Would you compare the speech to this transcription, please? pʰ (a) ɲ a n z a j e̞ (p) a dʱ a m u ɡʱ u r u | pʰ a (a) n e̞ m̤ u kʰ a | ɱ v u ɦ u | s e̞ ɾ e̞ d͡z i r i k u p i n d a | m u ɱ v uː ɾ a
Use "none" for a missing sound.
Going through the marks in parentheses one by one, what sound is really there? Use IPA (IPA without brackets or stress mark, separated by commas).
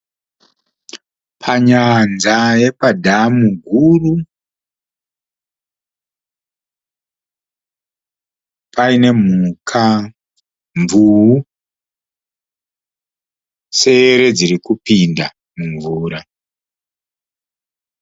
a, p, i